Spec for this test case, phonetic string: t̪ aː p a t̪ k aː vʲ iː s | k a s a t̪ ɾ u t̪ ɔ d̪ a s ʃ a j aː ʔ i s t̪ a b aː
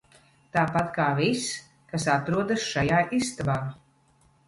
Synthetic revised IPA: t̪ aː p a t̪ k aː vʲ i s | k a s a t̪ ɾ u ɔ d̪ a s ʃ a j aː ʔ i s t̪ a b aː